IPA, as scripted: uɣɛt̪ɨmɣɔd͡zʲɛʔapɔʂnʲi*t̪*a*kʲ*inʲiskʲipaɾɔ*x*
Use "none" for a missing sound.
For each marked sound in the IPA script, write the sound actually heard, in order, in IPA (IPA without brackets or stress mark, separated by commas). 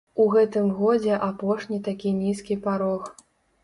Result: t̪, kʲ, x